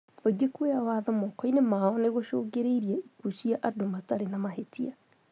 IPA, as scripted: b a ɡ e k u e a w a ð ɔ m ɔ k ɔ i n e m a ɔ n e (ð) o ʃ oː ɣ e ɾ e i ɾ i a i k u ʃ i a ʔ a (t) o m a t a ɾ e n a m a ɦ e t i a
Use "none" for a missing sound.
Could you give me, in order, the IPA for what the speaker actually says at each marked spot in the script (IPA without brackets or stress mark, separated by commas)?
ɣ, d